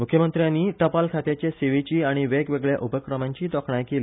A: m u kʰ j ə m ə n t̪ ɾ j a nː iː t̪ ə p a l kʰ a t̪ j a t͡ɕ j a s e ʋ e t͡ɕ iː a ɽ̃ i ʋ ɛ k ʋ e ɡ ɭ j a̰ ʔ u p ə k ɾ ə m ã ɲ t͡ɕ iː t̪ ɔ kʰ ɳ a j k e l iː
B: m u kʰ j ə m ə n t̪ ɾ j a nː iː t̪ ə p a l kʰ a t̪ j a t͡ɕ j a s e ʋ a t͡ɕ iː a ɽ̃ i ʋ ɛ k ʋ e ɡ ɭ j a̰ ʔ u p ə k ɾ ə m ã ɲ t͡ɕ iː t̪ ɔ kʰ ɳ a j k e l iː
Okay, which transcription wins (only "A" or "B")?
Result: A